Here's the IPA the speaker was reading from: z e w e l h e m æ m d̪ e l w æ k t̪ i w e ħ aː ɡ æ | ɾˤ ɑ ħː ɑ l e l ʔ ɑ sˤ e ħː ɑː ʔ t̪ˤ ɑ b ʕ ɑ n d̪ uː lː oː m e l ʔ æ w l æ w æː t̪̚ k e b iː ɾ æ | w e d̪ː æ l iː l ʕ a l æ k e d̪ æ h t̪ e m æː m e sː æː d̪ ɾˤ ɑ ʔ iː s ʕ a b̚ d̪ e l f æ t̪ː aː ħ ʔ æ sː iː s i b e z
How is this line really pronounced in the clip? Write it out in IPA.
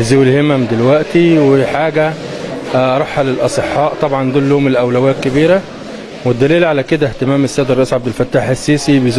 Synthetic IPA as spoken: z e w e l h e m æ m d̪ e l w æ ʔ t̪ i w e ħ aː ɡ æ | ɾˤ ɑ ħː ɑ l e l ʔ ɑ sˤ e ħː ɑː ʔ t̪ˤ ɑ b ʕ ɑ n d̪ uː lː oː m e l ʔ æ w l æ w æː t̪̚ k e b iː ɾ æ | w e d̪ː æ l iː l ʕ a l æ k e d̪ æ h t̪ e m æː m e sː æː d̪ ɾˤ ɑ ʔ iː s ʕ a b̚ d̪ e l f æ t̪ː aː ħ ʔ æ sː iː s i b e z